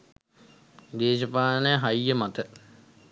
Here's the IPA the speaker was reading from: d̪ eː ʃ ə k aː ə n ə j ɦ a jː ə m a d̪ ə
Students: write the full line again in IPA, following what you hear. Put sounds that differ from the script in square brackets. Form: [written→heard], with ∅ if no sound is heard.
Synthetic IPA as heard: d̪ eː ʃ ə [k→p] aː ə n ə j ɦ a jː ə m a [d̪→t̪] ə